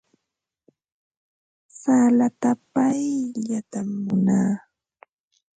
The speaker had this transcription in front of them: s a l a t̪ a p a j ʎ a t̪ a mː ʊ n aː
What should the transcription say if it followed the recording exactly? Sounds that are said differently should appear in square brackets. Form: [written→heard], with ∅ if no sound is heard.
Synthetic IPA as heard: s a l a t̪ a p a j ʎ a t̪ a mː ʊ n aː